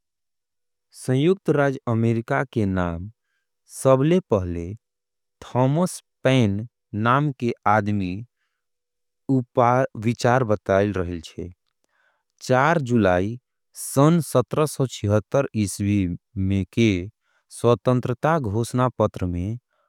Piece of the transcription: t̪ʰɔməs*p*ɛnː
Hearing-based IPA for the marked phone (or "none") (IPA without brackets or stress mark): p